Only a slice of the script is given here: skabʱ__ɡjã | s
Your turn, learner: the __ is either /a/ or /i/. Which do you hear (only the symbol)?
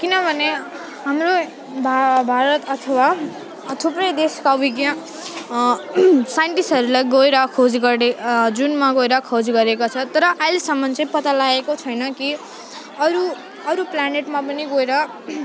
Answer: i